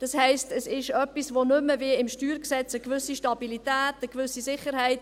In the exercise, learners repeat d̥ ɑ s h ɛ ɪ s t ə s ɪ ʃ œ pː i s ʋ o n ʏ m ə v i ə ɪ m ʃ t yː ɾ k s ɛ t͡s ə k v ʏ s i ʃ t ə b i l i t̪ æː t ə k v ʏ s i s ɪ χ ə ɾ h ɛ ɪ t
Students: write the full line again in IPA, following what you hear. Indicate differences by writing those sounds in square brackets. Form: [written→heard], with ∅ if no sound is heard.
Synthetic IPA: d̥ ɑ s h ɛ ɪ s t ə s ɪ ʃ œ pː i s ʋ o n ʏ m ə v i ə ɪ m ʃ t yː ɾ k s ɛ t͡s ə k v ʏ s i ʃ t [ə→ɑ] b i l i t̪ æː t ə k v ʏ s i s ɪ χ ə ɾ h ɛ ɪ t

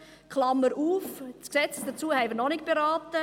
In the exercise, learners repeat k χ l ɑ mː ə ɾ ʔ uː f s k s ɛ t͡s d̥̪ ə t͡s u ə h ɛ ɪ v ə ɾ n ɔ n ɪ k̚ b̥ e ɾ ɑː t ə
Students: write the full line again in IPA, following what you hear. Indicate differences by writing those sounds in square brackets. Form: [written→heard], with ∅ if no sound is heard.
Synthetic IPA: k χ l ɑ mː ə ɾ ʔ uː f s k s ɛ t͡s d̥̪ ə t͡s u ə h ɛ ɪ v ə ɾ n ɔ n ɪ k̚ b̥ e ɾ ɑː t ə

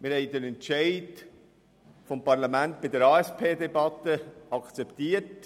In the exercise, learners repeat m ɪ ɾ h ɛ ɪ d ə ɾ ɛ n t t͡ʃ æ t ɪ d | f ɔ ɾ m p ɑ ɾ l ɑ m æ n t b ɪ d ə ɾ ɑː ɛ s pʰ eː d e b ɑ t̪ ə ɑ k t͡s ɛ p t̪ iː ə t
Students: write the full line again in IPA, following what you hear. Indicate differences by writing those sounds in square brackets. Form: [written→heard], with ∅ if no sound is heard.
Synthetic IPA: m ɪ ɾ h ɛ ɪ d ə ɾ ɛ n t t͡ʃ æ [t→∅] ɪ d | f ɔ [ɾ→∅] m p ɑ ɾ l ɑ m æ n t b ɪ d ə ɾ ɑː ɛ s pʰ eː d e b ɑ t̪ ə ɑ k t͡s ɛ p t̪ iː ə t

